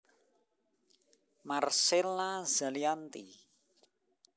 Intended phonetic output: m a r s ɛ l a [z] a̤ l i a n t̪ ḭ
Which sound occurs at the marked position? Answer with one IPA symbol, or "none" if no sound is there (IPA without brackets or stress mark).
z